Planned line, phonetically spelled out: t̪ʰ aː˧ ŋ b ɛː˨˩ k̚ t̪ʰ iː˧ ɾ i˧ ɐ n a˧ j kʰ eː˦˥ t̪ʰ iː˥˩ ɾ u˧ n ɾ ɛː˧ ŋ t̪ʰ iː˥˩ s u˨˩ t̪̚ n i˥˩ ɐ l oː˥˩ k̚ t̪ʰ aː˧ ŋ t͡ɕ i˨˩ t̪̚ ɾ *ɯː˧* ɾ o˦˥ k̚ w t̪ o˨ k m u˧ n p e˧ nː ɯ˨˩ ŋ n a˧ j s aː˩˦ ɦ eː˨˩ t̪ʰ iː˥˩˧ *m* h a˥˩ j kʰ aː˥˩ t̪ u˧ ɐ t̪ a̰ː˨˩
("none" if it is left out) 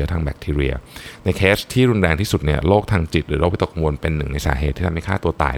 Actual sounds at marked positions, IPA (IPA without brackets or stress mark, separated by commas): ɯː˩˦, m